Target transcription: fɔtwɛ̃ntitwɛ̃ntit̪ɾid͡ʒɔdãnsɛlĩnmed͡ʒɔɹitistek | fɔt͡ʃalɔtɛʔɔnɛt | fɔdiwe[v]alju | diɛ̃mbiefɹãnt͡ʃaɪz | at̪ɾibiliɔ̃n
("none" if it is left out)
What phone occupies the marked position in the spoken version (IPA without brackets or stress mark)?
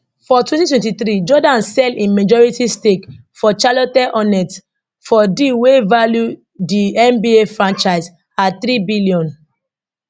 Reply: v